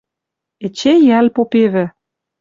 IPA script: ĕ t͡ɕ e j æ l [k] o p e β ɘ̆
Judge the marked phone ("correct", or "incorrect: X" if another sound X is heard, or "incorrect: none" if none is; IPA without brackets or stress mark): incorrect: p